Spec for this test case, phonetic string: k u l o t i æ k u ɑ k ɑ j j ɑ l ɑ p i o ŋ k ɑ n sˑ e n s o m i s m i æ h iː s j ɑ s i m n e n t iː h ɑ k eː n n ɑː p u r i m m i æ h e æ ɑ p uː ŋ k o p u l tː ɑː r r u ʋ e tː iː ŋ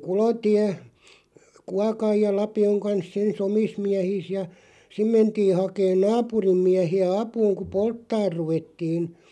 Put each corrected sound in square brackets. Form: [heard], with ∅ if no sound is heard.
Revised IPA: k u l o t i æ k u ɑ k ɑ j j ɑ l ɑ p i o ŋ k ɑ n sˑ e n s o m i s m i æ h iː s j ɑ s i m [m] e n t iː h ɑ k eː n n ɑː p u r i m m i æ h [i] æ ɑ p uː ŋ k [u] p [o] l tː ɑː r r u ʋ e tː iː [n]